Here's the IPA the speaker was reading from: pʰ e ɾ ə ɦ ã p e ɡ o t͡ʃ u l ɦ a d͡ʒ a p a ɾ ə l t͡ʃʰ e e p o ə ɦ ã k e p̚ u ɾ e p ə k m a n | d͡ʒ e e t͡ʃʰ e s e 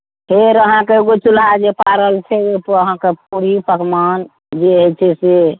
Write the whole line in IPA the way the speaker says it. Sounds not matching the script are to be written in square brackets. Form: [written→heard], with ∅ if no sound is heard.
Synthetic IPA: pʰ e ɾ ə ɦ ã [p→k] e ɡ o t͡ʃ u l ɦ a d͡ʒ [a→e] p a ɾ ə l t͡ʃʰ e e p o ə ɦ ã k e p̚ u ɾ [e→i] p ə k m a n | d͡ʒ e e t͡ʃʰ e s e